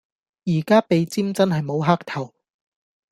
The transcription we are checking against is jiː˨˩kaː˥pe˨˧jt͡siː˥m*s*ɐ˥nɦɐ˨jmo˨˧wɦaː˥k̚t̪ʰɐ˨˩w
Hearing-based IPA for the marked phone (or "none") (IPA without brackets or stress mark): t͡s